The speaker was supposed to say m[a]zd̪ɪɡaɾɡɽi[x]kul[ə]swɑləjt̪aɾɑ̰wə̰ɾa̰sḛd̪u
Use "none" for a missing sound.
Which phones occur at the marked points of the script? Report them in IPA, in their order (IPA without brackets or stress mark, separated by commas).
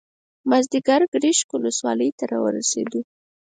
a, ʃ, ə